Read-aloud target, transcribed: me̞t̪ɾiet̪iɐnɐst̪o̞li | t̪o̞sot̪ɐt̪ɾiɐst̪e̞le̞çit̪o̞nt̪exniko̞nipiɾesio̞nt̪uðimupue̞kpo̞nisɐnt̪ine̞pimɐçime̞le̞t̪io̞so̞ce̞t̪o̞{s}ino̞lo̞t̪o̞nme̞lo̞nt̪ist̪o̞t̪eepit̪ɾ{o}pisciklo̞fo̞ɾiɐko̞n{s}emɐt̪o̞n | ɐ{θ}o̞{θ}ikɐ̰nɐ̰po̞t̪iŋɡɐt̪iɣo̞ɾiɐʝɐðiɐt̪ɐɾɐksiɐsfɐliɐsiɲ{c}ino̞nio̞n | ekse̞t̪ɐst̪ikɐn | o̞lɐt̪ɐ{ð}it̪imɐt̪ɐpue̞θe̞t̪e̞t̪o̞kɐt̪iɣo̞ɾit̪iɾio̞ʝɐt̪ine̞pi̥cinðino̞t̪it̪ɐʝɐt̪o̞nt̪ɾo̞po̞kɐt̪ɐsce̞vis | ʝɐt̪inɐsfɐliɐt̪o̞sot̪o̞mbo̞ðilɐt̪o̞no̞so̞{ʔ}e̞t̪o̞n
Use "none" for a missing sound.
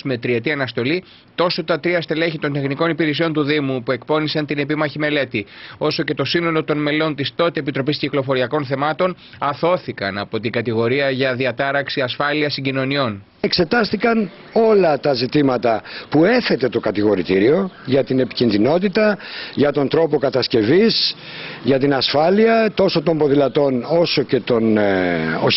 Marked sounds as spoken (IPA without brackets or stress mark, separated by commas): s, o, θ, θ, θ, ɟ, z, c